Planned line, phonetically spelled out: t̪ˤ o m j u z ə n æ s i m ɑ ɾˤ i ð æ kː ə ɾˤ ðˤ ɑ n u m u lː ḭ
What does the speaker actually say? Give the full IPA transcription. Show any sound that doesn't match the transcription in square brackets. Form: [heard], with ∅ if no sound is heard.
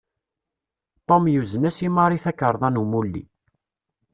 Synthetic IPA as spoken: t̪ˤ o m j u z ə n æ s i m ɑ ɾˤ i [θ] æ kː ə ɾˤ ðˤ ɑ n u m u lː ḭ